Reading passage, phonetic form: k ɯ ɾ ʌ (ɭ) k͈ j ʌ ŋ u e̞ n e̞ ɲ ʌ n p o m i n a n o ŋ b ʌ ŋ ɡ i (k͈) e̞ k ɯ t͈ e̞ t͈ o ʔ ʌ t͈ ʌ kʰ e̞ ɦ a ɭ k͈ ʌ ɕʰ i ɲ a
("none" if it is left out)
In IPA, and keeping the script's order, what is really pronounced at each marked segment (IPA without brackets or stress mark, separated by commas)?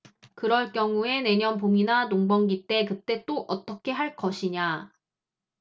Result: ɭ, t͈